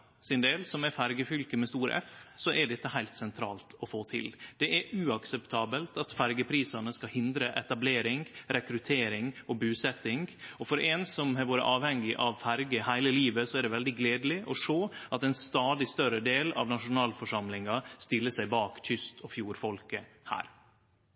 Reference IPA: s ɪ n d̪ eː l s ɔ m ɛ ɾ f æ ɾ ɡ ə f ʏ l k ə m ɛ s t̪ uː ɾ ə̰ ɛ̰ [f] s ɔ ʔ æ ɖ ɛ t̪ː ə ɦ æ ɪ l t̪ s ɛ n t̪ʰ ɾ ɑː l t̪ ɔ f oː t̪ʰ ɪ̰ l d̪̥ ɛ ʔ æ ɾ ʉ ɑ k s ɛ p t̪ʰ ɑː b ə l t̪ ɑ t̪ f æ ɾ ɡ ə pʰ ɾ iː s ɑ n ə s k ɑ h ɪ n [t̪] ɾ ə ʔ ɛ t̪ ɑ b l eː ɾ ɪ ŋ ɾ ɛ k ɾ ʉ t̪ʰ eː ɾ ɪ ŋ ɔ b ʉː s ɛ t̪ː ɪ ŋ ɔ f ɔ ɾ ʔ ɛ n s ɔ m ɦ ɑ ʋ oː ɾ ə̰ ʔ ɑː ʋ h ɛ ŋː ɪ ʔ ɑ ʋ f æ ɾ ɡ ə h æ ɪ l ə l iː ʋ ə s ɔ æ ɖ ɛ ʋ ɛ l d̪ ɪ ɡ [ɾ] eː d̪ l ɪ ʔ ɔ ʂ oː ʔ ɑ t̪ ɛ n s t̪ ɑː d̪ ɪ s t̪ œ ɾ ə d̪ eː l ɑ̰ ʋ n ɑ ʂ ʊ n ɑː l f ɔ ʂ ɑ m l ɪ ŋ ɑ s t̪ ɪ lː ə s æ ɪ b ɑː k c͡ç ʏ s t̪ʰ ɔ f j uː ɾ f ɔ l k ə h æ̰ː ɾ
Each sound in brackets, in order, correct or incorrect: correct, incorrect: d̪, incorrect: l

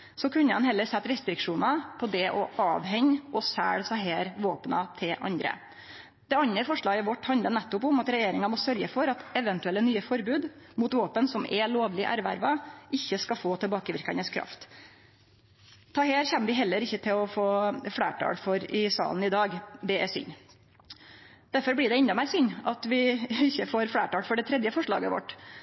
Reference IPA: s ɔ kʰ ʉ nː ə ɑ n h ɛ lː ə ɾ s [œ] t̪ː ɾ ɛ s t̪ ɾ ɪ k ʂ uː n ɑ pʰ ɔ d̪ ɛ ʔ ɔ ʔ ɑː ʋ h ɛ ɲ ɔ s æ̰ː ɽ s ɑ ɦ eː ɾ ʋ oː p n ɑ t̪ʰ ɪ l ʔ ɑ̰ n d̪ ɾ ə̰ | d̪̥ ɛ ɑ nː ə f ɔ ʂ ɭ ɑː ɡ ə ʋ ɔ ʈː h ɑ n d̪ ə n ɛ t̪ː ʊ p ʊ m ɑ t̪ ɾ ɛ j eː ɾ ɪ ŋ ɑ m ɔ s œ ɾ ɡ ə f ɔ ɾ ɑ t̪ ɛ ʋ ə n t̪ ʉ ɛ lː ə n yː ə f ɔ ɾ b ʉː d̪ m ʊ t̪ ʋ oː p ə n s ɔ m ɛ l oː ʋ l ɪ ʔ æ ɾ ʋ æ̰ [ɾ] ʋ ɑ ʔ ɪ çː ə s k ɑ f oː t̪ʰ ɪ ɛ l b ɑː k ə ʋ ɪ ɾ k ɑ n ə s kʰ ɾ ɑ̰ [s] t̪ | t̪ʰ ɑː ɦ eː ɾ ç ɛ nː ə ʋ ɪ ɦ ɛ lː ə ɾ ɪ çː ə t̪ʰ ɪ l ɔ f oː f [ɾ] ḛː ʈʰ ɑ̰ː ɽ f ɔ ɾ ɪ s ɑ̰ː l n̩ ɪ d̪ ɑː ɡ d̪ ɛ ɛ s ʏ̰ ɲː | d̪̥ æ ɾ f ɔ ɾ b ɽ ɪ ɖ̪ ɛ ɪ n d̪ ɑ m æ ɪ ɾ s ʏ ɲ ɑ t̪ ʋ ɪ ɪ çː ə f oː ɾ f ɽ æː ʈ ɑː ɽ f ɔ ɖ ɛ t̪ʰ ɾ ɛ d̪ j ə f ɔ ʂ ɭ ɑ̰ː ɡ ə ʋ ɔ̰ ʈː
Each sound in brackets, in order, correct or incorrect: incorrect: ɛ, correct, incorrect: f, incorrect: ɽ

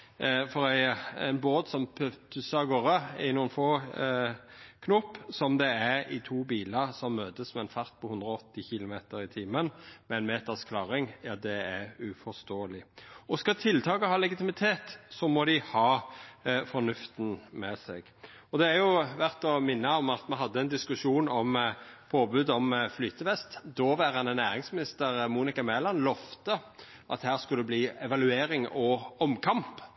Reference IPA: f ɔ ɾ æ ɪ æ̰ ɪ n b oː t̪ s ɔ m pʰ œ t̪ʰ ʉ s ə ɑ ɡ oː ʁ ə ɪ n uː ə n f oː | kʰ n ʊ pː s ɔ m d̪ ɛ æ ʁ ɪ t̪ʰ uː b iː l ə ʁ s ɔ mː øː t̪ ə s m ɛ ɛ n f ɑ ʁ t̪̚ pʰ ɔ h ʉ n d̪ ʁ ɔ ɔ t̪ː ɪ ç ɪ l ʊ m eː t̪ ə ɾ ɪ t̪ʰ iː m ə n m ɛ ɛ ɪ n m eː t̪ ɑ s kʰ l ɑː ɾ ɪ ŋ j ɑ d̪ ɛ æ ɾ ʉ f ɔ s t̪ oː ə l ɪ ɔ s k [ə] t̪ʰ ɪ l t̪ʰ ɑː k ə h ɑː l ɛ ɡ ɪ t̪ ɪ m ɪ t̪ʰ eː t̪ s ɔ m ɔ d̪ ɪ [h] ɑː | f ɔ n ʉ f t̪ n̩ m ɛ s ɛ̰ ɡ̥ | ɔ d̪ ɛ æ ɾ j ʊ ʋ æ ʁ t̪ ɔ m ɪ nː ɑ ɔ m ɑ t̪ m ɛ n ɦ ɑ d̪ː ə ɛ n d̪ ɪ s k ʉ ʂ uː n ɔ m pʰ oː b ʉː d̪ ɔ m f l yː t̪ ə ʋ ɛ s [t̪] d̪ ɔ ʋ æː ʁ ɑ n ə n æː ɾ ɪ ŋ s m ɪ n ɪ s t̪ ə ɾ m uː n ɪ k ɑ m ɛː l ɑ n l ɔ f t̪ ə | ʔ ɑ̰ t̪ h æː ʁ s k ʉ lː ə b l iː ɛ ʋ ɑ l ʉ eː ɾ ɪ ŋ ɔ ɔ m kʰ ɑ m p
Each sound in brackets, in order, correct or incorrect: incorrect: ɑ, correct, correct

